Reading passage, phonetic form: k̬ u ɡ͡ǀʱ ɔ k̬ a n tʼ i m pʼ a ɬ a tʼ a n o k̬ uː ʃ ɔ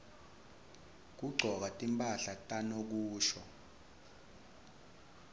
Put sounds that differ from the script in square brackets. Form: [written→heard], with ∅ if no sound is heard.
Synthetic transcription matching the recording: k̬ u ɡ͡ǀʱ ɔ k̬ a [n→∅] tʼ i m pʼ a ɬ a tʼ a n o k̬ uː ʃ ɔ